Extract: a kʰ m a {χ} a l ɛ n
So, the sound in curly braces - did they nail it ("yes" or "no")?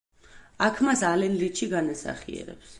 no